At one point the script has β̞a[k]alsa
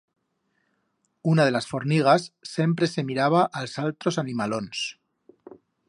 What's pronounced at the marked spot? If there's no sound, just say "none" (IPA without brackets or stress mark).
ʔ